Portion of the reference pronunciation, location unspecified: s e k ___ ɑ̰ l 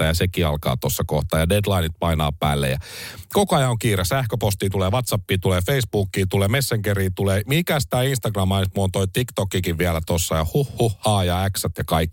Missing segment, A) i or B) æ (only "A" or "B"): A